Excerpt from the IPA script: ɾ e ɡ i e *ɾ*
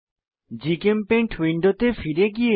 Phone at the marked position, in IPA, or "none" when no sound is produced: none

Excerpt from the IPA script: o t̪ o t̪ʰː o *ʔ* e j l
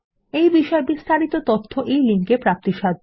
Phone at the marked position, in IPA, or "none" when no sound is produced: ʔ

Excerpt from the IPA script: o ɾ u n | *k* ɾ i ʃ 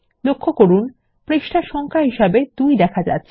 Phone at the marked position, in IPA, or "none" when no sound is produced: p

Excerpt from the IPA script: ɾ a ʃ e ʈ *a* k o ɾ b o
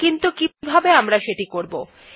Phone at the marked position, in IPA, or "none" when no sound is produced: i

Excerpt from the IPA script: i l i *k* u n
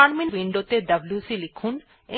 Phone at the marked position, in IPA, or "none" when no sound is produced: kʰ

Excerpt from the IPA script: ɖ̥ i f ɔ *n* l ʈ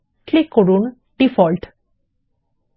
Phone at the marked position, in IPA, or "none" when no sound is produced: none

